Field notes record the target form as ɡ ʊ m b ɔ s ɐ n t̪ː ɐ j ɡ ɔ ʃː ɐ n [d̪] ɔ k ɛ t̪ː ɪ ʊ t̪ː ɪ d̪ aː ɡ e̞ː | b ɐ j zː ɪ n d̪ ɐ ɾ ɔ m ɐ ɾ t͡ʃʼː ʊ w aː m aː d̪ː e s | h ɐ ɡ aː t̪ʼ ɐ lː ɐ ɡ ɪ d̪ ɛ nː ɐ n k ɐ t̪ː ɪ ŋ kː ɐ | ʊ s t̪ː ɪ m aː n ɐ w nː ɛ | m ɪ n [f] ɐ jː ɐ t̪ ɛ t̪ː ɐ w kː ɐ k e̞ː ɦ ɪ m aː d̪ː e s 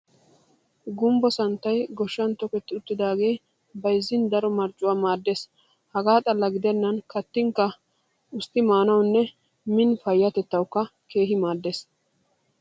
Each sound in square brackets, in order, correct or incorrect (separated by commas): incorrect, correct